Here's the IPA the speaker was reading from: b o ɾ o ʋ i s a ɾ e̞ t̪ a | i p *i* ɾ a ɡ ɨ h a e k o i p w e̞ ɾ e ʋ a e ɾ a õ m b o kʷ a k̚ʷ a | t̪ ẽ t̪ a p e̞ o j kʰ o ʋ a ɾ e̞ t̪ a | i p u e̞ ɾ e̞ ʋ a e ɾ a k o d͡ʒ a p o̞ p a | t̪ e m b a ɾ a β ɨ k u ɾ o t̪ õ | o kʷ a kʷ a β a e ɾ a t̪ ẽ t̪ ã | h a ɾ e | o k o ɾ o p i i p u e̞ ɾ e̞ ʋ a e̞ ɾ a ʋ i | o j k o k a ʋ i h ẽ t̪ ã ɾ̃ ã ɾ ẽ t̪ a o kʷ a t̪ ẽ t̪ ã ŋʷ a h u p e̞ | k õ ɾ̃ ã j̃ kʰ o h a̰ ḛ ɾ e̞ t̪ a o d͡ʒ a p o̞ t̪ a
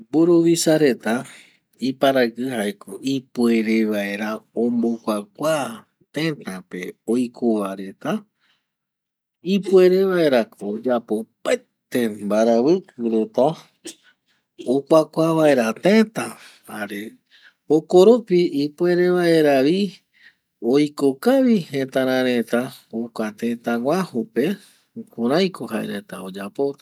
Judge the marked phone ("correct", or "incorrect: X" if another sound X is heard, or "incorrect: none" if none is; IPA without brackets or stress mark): incorrect: a